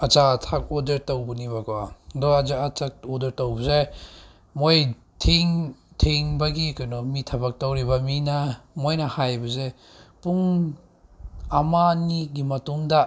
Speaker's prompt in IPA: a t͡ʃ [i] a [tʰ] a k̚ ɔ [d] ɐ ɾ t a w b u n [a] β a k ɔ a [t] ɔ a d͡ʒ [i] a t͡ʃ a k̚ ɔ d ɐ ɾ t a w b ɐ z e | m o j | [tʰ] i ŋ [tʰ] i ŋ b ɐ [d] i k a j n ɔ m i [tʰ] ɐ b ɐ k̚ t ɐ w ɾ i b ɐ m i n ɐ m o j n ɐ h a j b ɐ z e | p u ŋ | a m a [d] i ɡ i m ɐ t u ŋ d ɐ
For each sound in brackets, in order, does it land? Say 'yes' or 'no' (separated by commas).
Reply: no, yes, yes, no, no, no, yes, yes, no, yes, no